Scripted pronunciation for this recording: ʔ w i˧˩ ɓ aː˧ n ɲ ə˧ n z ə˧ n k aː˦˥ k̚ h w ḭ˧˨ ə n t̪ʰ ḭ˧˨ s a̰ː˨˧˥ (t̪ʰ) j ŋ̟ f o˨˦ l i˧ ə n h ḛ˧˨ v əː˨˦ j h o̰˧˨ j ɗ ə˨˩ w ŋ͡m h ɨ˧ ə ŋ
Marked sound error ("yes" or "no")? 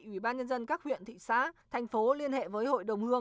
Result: no